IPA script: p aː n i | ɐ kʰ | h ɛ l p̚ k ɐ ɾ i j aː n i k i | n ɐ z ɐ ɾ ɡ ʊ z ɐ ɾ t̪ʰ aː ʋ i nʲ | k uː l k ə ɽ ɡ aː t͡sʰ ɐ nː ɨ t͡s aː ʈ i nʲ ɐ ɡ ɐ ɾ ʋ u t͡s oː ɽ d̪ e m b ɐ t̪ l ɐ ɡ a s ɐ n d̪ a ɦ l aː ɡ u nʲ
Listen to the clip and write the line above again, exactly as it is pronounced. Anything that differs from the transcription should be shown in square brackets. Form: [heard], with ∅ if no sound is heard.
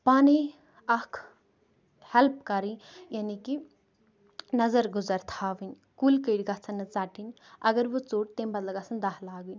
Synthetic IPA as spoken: p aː n i | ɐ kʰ | h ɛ l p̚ k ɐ ɾ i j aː n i k i | n ɐ z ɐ ɾ ɡ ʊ z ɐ ɾ t̪ʰ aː ʋ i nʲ | k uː l k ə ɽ ɡ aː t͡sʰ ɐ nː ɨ t͡s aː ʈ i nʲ ɐ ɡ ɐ ɾ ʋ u t͡s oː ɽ [t̪] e m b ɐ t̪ l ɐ ɡ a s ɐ n d̪ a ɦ l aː ɡ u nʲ

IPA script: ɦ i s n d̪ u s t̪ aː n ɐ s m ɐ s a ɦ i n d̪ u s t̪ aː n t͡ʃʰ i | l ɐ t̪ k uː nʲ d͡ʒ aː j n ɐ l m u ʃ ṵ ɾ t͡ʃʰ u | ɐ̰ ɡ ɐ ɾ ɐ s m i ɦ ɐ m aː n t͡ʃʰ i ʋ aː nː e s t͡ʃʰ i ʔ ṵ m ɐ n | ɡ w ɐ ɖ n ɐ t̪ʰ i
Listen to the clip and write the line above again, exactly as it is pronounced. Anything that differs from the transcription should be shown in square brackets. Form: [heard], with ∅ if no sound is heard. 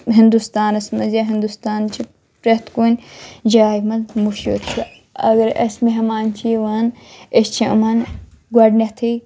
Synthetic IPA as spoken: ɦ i [∅] n d̪ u s t̪ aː n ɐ s m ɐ [z] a ɦ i n d̪ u s t̪ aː n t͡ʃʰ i | [ɾ] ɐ t̪ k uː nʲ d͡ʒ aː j [m] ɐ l m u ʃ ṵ ɾ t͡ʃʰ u | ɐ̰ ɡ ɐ ɾ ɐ s m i ɦ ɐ m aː n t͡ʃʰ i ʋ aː [n] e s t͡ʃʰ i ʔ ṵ m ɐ n | ɡ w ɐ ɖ n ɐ t̪ʰ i

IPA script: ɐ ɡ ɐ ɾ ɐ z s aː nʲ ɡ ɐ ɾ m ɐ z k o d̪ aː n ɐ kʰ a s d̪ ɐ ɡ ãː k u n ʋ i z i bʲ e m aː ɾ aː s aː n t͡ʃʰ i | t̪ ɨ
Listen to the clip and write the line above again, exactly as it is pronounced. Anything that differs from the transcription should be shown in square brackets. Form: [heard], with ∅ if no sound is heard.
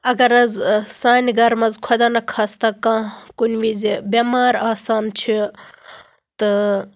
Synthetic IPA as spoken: ɐ ɡ ɐ ɾ ɐ z s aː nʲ ɡ ɐ ɾ m ɐ z [kʰ] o d̪ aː n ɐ kʰ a s [t̪] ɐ [k] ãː k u n ʋ i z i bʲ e m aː ɾ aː s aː n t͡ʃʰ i | t̪ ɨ

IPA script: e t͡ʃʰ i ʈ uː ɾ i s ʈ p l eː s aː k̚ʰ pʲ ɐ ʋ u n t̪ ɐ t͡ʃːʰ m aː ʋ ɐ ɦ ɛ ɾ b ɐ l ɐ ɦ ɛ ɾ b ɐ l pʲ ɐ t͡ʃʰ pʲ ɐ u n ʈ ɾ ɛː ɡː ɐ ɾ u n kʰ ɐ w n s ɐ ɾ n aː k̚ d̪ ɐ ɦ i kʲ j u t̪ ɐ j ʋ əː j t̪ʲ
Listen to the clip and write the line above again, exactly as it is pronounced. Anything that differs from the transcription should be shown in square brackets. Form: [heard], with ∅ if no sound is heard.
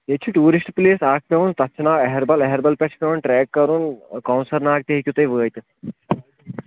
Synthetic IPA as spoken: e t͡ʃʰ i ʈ uː ɾ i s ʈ p l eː s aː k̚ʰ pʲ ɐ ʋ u n t̪ ɐ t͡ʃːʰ [n] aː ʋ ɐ ɦ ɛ ɾ b ɐ l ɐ ɦ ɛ ɾ b ɐ l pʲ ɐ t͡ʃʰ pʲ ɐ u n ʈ ɾ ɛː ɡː ɐ ɾ u n [k] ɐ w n s ɐ ɾ n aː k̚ [t̪] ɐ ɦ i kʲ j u t̪ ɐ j ʋ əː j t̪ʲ

